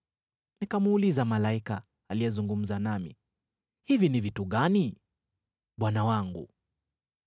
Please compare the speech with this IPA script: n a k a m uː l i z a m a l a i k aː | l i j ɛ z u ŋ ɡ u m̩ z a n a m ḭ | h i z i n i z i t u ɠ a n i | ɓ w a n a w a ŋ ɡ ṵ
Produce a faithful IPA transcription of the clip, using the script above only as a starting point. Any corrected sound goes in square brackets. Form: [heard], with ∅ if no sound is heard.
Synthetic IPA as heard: n [i] k a m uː l i z a m a l a i k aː | l i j ɛ z u ŋ ɡ u m̩ z a n a m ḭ | h i [v] i n i [v] i t u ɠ a n i | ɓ w a n a w a ŋ ɡ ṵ